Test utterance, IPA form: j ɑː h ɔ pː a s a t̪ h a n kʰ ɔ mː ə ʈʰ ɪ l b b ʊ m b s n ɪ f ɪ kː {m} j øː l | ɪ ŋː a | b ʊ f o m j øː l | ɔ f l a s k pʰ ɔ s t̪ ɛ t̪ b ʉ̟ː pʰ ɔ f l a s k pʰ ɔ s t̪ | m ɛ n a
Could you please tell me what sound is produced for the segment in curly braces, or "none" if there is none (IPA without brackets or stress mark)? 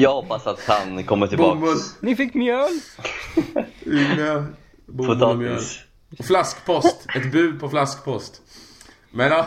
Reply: m